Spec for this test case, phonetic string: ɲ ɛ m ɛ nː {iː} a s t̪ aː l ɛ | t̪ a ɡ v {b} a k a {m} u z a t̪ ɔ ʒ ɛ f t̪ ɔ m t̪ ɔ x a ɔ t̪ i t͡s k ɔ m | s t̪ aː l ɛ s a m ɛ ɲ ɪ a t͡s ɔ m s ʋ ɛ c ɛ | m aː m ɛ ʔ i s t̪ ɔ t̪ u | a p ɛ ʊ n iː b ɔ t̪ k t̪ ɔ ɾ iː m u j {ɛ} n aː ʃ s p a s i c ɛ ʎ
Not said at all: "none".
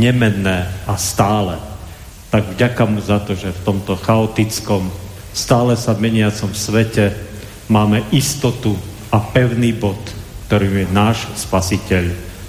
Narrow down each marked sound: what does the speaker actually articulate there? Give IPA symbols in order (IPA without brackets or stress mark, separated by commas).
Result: ɛː, ɟ, m, ɛ